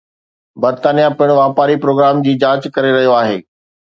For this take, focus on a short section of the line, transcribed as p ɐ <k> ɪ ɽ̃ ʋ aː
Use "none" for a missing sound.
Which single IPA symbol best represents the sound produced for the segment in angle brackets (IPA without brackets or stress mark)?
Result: none